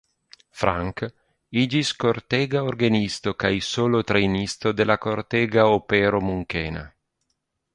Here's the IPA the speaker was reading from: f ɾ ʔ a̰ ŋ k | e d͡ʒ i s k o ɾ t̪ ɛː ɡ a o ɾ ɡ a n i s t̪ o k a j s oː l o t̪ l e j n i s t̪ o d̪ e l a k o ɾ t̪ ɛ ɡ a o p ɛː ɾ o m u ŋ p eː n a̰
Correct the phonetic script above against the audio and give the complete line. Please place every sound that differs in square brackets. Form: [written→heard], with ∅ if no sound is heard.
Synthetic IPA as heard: f ɾ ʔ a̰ ŋ k | [e→i] d͡ʒ i s k o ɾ t̪ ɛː ɡ a o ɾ ɡ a n i s t̪ o k a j s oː l o t̪ [l→ɾ] e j n i s t̪ o d̪ e l a k o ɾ t̪ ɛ ɡ a o p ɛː ɾ o m u ŋ [p→k] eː n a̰